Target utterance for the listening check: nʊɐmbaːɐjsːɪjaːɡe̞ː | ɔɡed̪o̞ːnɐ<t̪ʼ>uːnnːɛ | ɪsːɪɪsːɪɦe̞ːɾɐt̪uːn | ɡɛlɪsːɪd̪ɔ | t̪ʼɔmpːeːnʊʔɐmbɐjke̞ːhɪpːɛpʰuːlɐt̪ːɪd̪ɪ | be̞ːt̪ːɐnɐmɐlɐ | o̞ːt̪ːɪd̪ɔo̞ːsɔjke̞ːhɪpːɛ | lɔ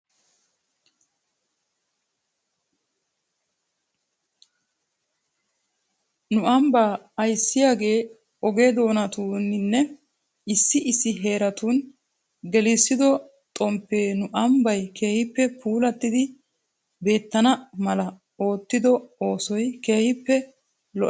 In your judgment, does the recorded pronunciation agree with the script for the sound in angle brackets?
no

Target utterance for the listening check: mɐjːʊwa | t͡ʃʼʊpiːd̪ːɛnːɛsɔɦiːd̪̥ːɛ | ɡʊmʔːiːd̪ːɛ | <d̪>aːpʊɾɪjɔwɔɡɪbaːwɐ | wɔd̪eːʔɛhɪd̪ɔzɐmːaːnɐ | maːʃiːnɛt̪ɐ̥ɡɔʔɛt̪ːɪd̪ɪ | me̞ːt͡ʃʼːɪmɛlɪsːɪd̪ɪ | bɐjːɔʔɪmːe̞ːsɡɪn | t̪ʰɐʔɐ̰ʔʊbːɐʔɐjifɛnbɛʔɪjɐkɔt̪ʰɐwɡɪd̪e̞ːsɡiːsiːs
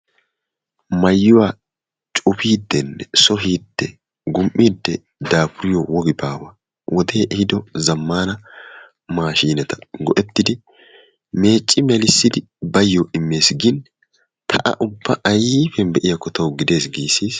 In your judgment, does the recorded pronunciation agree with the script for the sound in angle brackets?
yes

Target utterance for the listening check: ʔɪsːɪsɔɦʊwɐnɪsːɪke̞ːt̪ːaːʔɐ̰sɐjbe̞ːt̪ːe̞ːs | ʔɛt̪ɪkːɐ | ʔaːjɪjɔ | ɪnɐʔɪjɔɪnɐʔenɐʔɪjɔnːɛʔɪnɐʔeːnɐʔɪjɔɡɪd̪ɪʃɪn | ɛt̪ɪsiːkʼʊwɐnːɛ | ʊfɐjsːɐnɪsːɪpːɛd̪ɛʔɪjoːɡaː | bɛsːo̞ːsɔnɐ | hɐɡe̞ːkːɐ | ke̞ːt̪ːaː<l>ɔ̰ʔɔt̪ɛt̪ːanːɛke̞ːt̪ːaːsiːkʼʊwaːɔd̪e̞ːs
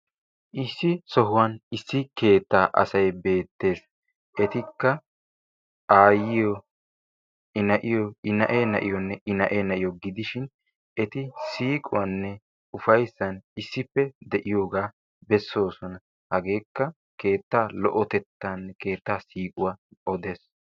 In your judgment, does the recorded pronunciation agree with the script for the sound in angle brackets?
yes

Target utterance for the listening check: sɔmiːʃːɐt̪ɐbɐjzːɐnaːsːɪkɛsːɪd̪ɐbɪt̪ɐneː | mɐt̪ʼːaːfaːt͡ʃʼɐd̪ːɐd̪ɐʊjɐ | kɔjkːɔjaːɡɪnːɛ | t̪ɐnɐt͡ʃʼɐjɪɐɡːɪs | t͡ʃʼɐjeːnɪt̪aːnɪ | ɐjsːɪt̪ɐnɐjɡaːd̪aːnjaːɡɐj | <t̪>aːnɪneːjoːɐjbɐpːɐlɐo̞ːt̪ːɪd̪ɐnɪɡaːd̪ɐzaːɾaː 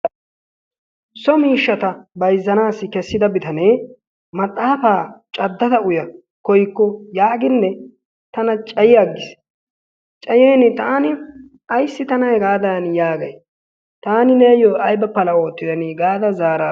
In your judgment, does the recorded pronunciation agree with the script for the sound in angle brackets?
yes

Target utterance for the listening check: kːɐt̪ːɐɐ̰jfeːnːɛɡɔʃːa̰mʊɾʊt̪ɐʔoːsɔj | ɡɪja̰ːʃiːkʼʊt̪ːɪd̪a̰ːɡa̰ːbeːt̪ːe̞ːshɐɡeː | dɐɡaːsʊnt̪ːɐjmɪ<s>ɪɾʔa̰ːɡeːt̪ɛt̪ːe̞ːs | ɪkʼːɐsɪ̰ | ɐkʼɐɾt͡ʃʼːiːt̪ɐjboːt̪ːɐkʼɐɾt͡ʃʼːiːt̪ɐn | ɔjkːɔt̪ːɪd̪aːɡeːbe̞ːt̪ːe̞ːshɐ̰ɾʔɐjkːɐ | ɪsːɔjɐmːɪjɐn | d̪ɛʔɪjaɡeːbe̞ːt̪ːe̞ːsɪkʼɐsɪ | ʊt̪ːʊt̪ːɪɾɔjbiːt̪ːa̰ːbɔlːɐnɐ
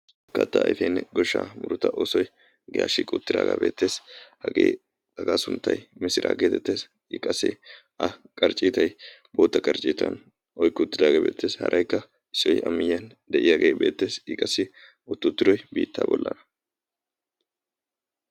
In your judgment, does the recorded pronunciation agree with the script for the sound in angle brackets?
yes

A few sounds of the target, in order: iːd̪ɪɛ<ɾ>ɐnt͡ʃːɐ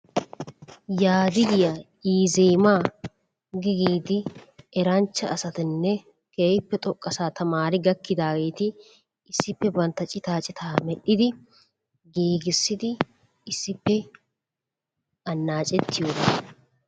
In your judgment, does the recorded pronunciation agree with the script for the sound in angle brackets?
yes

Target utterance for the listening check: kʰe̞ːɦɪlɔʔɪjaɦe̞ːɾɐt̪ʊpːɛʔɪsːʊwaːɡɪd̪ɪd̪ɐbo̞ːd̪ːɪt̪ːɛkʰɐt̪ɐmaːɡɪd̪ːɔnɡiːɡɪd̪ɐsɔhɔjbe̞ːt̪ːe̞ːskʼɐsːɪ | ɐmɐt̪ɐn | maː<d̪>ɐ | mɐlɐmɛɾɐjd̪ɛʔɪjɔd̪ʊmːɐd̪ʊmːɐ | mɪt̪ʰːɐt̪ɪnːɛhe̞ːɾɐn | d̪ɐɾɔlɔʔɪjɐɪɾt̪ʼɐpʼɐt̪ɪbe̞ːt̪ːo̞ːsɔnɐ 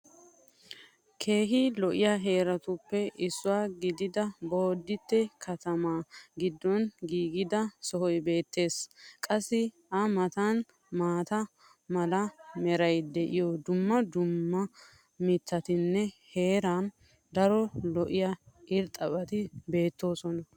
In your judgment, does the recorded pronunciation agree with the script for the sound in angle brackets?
no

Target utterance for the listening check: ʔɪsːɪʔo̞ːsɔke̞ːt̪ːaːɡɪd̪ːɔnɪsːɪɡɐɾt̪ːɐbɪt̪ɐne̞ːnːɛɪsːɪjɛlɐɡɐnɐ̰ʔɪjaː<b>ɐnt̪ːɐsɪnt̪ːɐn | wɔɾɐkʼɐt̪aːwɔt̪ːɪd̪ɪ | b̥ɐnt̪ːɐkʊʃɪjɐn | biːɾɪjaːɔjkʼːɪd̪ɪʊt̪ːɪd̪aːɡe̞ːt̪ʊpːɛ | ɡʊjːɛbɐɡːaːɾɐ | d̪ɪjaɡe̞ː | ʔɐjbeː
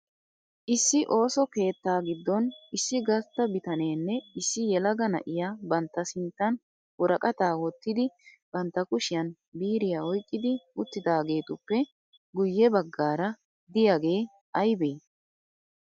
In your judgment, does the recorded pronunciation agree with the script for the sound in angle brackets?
yes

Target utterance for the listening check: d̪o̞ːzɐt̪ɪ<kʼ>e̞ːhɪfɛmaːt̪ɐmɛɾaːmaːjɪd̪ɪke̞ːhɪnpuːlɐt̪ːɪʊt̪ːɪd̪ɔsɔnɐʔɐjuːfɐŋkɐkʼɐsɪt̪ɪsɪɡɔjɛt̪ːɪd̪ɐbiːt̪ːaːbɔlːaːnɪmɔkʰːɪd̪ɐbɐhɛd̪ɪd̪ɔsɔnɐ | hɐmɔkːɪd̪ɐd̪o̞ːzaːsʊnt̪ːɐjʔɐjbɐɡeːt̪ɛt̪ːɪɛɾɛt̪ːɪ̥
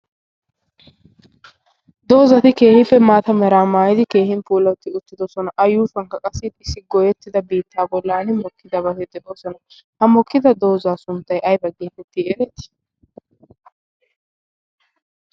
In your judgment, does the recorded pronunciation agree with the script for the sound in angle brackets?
no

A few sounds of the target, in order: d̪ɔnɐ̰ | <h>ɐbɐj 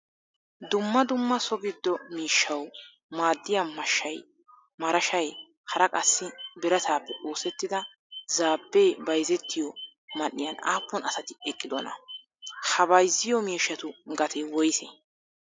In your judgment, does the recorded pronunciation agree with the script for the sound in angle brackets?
yes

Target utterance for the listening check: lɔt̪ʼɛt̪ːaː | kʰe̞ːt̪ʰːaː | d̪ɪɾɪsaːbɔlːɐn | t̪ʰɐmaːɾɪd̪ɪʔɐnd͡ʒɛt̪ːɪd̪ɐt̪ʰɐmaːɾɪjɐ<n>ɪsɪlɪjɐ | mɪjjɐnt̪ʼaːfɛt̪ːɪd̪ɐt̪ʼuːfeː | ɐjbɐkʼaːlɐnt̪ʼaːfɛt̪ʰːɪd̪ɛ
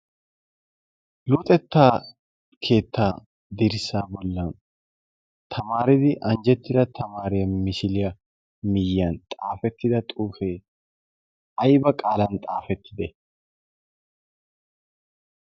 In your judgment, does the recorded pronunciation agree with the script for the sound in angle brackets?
no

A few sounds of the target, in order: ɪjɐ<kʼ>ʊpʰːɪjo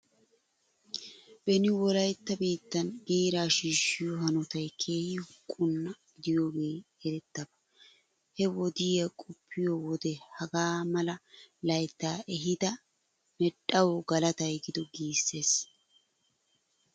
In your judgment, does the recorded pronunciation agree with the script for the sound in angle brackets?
yes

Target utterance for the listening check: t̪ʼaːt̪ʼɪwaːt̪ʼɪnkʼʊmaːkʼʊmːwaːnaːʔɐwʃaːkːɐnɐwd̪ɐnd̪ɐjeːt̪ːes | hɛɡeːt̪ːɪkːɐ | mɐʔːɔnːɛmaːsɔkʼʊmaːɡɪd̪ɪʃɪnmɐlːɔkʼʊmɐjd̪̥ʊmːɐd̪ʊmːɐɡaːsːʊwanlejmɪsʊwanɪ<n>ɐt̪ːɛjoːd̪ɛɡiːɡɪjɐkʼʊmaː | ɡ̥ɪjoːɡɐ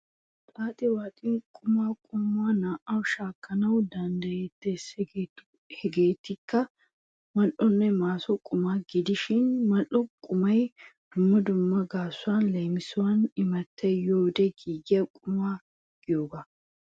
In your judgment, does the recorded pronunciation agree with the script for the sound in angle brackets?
no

